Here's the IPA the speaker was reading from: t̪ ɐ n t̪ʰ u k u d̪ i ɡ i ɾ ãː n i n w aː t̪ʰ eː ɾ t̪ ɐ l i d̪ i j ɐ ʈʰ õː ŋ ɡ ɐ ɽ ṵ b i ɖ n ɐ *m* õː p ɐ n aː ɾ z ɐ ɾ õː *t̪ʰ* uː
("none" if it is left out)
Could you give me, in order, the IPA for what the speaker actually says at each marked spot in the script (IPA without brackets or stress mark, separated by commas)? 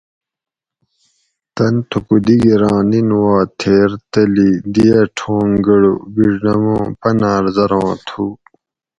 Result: m, t̪ʰ